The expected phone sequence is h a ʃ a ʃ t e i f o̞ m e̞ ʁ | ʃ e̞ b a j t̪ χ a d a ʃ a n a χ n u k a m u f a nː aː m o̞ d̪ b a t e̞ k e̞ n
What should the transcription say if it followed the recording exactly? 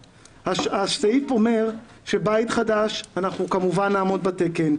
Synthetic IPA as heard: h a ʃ a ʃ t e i f o̞ m e̞ ʁ | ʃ e̞ b a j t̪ χ a d a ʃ a n a χ n u k a m u v a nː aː m o̞ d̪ b a t e̞ k e̞ n